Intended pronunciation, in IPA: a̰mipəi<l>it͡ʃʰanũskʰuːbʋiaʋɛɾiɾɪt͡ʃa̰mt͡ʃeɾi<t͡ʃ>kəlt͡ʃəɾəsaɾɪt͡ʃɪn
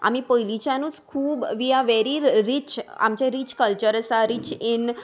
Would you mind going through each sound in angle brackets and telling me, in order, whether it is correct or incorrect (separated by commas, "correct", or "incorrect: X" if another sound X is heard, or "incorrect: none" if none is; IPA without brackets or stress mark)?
correct, correct